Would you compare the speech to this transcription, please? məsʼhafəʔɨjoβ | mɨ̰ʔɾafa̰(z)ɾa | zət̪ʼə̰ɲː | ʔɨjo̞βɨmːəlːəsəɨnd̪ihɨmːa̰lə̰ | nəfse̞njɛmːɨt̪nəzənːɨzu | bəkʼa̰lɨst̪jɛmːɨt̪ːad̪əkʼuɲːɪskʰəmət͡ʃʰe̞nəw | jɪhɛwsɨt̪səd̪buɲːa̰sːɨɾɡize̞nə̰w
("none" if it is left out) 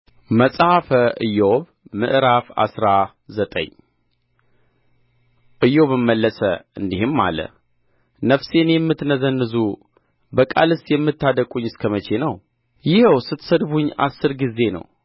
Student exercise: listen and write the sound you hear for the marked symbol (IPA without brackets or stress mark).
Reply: s